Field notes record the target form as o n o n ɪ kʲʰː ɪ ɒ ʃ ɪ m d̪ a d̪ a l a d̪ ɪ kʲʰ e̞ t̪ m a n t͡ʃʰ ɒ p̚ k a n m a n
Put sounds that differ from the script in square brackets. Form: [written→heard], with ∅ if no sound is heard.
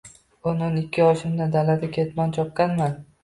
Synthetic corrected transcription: o n o n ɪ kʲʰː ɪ ɒ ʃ ɪ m d̪ a d̪ a l a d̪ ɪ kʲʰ e̞ t̪ m a n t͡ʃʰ ɒ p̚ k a n m a n